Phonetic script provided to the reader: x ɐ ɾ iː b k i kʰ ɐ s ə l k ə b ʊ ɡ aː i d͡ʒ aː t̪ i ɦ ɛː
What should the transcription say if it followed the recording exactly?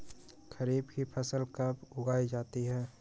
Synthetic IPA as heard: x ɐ ɾ iː b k i pʰ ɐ s ə l k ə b ʊ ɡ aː i d͡ʒ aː t̪ i ɦ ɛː